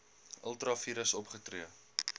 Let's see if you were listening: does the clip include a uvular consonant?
yes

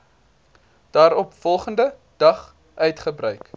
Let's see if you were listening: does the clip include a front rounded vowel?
yes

